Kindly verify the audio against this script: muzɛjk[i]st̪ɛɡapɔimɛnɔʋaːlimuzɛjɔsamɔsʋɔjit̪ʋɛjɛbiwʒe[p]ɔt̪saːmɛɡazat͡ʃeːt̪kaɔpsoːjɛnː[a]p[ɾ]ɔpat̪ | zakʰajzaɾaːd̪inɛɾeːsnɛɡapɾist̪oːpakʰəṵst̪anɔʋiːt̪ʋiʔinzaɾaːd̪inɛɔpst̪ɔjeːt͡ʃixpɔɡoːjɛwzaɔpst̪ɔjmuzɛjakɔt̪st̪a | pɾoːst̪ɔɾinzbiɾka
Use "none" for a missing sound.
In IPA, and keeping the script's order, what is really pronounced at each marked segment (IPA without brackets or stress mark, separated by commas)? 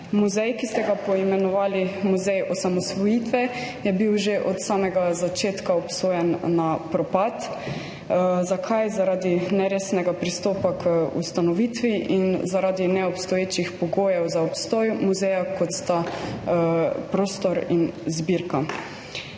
i, ʔ, a, ɾ